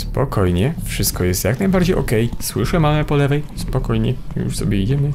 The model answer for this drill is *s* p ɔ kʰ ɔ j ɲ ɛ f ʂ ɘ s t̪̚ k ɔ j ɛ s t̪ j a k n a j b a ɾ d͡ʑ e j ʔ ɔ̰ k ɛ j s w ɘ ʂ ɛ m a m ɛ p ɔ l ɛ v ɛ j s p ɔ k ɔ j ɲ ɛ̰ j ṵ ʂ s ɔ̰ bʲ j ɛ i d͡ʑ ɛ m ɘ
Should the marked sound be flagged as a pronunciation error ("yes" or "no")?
no